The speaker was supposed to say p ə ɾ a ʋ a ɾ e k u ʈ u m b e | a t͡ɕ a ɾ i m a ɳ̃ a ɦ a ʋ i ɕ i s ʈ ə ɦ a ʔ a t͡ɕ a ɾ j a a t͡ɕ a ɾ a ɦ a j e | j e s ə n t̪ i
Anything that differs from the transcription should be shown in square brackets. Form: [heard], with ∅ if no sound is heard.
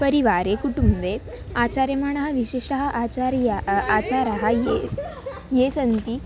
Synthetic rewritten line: p ə ɾ [i] ʋ a ɾ e k u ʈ u m b e | a t͡ɕ a ɾ [j] m a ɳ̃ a ɦ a ʋ i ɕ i [ʂ] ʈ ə ɦ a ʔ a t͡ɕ a ɾ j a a t͡ɕ a ɾ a ɦ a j e | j e s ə n t̪ i